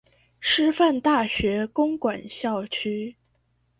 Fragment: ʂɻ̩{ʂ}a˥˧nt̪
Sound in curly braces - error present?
yes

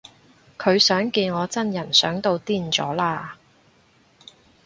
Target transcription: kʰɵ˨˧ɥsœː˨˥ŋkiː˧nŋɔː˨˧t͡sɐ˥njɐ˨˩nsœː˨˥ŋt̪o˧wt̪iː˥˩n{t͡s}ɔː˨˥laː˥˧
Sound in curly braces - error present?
no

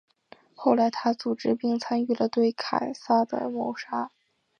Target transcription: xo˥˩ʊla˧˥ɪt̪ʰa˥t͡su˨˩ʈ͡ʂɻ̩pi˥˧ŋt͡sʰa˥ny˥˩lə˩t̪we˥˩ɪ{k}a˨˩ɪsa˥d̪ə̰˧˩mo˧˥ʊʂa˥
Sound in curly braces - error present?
yes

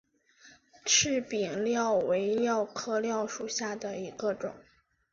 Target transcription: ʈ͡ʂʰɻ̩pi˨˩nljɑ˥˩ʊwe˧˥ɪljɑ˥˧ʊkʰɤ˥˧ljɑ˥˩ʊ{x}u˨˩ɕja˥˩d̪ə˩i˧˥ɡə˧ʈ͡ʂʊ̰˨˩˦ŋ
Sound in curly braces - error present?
yes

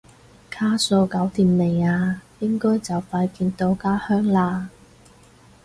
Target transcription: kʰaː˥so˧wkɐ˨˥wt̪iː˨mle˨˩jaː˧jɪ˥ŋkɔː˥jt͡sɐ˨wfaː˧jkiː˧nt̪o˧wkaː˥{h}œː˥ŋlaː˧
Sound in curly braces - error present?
no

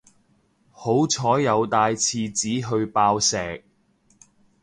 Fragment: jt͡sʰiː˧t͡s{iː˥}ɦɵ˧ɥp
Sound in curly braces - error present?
yes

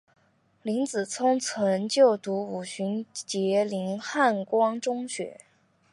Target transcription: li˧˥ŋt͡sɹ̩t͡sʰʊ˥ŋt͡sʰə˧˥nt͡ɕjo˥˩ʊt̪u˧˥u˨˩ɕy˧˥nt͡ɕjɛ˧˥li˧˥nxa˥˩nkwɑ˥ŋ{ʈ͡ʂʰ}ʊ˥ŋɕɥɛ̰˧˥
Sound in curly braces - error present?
yes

